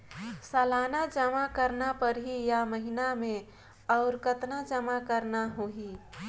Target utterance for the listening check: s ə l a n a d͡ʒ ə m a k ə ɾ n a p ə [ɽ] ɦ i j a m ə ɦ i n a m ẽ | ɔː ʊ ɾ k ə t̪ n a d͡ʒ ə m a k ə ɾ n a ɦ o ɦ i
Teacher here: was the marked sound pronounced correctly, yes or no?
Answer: no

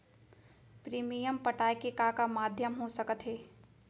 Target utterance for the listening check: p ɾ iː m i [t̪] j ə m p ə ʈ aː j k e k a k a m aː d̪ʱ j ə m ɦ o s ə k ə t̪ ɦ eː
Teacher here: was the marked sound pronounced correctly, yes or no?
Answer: no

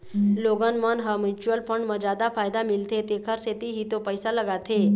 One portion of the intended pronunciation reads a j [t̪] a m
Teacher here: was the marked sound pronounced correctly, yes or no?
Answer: no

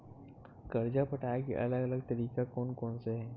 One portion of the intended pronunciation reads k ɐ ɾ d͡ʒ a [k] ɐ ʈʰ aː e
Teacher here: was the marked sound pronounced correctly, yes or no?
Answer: no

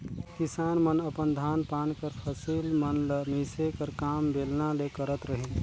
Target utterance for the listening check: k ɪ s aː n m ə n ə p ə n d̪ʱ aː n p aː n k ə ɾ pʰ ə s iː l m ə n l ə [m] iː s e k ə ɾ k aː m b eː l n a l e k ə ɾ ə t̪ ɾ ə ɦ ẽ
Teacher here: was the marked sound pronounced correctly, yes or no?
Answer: yes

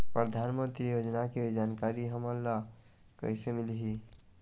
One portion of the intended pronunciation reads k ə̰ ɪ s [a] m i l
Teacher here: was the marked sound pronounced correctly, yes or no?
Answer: no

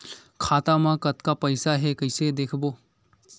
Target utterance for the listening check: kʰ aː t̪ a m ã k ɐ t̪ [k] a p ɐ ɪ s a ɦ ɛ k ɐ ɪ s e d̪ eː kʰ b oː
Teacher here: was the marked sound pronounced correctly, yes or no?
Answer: yes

